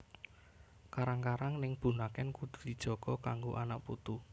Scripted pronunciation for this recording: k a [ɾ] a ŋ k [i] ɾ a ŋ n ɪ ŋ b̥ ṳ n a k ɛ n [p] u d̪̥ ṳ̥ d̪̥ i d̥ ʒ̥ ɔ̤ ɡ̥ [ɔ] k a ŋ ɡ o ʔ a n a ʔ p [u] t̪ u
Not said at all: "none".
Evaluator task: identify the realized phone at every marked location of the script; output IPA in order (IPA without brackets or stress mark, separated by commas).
ɾ, a, k, ɔ, u